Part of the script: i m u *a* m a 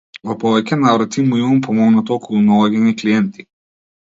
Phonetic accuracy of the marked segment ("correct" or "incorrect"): incorrect